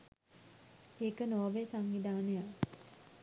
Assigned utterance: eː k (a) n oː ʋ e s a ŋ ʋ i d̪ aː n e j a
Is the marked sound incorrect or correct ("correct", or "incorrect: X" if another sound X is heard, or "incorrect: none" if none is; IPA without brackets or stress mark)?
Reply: incorrect: ə